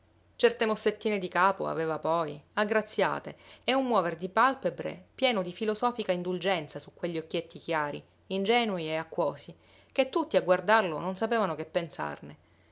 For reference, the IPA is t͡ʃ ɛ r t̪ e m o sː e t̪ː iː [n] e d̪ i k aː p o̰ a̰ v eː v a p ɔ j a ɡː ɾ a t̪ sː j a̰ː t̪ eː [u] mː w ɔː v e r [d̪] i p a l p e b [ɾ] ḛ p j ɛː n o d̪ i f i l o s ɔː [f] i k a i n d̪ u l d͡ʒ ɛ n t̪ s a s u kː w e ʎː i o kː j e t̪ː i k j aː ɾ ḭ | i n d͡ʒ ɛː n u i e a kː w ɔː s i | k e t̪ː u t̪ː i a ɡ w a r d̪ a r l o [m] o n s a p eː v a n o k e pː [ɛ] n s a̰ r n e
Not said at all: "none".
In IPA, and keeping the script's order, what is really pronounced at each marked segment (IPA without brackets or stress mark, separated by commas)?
n, u, d̪, ɾ, f, n, e